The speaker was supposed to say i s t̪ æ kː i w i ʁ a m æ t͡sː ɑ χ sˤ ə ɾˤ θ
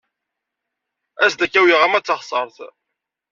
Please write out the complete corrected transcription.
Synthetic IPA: æ s d̪ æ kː æ w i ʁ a m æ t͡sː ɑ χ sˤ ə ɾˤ θ